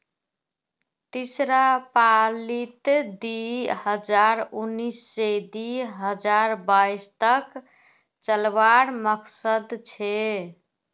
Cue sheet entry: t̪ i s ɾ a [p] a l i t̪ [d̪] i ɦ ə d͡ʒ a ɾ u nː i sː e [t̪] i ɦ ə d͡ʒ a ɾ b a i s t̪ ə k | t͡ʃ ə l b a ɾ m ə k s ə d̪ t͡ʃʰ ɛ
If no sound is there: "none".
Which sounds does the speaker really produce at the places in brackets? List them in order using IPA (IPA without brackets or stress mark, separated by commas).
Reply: p, d̪, d̪